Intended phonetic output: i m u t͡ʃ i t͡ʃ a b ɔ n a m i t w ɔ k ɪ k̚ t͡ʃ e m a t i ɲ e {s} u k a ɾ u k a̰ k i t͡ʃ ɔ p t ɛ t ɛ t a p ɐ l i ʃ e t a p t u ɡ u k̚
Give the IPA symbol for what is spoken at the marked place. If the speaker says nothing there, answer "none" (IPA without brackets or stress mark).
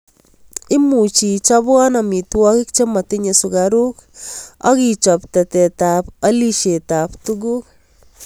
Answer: s